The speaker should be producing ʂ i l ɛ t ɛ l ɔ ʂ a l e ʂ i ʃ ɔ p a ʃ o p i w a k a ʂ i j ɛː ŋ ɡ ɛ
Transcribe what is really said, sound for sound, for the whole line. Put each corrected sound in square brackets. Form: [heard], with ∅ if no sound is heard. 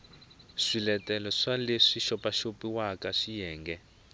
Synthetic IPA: ʂ i l ɛ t ɛ l ɔ ʂ a l e ʂ i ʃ ɔ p a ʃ o p i w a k a ʂ i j ɛː ŋ ɡ ɛ